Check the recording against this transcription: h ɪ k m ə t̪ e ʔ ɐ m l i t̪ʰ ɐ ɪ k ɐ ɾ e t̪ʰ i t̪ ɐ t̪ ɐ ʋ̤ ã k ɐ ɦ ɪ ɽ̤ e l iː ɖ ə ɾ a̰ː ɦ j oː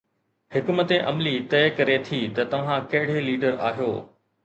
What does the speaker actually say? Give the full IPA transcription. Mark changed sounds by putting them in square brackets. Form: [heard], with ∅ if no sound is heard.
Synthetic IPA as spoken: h ɪ k m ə t̪ e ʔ ɐ m l i [t̪] ɐ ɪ k ɐ ɾ e t̪ʰ i t̪ ɐ t̪ ɐ ʋ̤ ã k ɐ ɦ ɪ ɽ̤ e l iː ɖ ə ɾ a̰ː ɦ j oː

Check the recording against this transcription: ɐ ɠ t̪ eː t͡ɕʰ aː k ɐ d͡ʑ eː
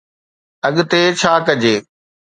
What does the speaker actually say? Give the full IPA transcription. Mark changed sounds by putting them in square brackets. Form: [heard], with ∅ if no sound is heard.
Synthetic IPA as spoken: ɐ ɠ t̪ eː t͡ɕʰ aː k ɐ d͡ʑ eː

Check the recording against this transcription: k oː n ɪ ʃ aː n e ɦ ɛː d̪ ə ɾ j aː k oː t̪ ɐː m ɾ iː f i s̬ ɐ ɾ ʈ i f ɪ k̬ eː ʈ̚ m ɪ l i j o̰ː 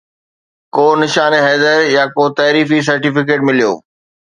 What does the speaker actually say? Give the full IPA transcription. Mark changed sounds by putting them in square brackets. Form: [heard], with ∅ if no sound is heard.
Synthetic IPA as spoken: k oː n ɪ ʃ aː n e ɦ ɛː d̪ ə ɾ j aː k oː t̪ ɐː [∅] ɾ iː f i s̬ ɐ ɾ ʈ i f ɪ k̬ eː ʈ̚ m ɪ l i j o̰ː

